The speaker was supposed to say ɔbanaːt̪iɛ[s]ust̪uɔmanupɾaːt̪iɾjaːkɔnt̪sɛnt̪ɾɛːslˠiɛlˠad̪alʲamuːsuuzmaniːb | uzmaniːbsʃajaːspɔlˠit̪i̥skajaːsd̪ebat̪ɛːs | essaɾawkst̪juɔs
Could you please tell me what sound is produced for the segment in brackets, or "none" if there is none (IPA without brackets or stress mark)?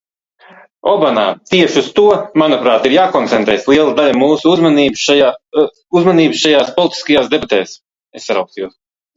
ʃ